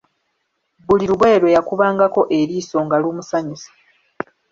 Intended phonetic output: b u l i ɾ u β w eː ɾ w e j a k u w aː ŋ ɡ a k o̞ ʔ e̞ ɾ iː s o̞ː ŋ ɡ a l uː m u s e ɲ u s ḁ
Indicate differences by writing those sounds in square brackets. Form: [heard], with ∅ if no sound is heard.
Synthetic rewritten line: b u l i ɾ u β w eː ɾ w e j a k u [β] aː ŋ ɡ a k o̞ ʔ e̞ ɾ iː s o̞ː ŋ ɡ a l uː m u s [a] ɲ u s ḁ